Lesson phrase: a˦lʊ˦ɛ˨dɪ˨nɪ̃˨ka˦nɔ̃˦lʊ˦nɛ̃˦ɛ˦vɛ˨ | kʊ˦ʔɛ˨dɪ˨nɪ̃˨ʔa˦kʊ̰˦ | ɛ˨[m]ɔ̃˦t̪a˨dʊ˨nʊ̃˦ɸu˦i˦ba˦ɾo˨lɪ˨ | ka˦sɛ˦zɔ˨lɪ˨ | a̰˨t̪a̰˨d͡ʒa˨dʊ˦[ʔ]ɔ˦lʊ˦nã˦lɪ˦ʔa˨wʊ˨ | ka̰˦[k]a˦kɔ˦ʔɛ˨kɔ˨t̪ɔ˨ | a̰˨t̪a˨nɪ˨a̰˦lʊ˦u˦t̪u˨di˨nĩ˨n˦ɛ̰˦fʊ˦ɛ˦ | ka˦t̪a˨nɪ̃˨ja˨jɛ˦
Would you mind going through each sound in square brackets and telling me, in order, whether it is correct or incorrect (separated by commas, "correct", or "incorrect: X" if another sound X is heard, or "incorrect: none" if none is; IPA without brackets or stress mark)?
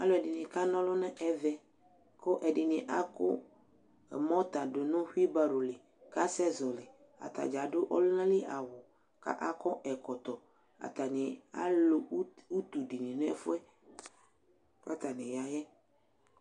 correct, correct, incorrect: ʔ